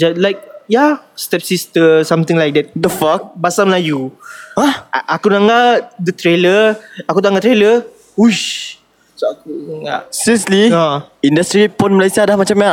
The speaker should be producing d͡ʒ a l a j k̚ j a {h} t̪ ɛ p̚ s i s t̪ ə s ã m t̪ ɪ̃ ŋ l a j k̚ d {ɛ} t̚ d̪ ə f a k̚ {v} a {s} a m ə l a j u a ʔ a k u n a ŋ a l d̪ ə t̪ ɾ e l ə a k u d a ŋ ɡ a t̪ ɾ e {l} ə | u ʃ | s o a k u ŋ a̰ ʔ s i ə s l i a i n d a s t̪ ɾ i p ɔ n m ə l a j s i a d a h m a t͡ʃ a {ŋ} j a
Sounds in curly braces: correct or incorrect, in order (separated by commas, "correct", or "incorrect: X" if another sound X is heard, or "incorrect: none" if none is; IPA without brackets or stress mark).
incorrect: s, correct, incorrect: b, correct, correct, incorrect: m